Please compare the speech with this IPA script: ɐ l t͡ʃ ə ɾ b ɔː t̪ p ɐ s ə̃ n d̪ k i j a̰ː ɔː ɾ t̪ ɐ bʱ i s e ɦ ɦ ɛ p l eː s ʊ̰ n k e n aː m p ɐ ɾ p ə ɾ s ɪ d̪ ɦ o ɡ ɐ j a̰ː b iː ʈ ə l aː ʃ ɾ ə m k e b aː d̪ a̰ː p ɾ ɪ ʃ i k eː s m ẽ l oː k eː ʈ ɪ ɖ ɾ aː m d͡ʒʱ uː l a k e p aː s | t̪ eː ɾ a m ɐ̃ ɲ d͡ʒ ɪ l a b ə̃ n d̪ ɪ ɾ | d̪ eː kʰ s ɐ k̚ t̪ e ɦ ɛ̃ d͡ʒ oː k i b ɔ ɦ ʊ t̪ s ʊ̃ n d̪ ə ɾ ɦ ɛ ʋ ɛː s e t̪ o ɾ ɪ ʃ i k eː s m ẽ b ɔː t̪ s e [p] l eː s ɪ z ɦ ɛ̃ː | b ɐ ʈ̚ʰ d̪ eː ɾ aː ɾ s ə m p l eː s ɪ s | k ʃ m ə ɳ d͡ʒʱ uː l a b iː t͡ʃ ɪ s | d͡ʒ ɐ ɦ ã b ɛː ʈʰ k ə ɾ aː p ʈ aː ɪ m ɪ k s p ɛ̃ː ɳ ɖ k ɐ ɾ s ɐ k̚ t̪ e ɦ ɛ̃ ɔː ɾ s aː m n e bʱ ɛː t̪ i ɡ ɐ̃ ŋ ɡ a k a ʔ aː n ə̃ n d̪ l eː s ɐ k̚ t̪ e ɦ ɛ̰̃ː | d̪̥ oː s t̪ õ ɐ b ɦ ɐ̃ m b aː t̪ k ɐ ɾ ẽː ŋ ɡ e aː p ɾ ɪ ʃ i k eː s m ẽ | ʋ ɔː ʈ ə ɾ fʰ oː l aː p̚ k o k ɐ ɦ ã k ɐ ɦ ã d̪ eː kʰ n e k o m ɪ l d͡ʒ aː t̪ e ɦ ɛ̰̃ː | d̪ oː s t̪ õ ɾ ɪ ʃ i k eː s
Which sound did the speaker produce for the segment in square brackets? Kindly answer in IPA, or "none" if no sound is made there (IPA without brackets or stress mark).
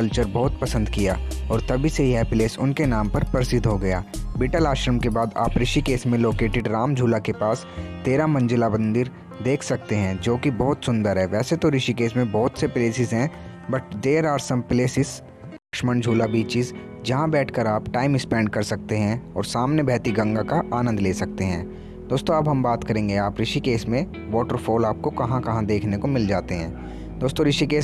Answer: p